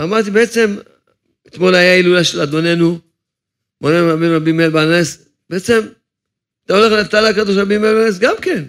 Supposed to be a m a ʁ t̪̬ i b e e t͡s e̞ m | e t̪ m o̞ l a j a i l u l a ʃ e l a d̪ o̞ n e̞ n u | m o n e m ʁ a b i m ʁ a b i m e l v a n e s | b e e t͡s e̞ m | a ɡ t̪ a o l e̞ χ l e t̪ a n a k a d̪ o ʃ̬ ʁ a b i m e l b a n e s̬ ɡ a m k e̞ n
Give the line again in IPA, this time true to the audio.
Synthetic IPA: a m a ʁ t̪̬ i b e e t͡s e̞ m | e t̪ m o̞ l a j a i l u l a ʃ e l a d̪ o̞ n e̞ n u | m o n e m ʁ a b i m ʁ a b i m e l b a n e s | b e e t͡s e̞ m | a t̪ a o l e̞ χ l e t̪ a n a k a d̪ o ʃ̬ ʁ a b i m e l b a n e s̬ ɡ a m k e̞ n